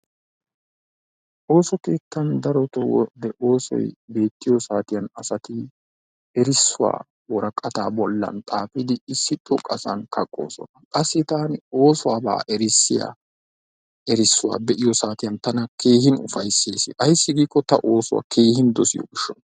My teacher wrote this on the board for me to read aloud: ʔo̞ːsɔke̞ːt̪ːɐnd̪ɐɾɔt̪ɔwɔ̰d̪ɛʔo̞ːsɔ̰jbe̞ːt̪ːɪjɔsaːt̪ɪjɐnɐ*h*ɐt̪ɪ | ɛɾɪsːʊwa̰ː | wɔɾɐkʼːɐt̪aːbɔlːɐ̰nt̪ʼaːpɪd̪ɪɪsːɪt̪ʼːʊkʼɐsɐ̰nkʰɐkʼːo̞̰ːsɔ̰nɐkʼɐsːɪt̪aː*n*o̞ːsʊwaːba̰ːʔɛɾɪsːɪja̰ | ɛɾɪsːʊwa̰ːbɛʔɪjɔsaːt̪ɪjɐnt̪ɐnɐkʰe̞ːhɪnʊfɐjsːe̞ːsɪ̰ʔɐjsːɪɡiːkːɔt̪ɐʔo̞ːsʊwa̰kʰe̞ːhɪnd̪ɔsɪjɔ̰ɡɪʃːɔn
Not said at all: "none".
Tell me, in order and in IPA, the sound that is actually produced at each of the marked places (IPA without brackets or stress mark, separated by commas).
s, n